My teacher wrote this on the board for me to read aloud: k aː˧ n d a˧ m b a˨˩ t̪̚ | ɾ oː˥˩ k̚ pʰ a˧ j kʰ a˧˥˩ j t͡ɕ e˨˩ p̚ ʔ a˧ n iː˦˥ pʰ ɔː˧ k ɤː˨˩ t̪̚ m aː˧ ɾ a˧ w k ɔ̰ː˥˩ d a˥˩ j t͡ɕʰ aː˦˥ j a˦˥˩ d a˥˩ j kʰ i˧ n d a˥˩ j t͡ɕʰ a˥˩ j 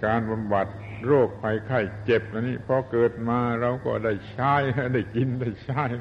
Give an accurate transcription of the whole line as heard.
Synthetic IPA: k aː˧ n b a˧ m b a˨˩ t̪̚ | ɾ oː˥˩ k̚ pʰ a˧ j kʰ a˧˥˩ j t͡ɕ e˨˩ p̚ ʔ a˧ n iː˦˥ pʰ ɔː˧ k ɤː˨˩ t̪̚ m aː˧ ɾ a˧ w k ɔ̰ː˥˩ d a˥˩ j t͡ɕʰ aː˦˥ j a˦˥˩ d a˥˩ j k i˧ n d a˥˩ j t͡ɕʰ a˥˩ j